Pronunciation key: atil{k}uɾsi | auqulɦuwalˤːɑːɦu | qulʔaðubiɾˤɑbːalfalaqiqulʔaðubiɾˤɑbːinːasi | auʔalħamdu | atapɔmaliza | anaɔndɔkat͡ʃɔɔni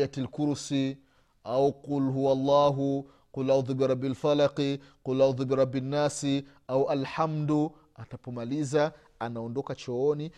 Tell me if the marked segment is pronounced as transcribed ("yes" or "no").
yes